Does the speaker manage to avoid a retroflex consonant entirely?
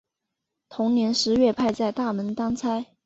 no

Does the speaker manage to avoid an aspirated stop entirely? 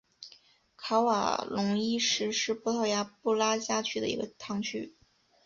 no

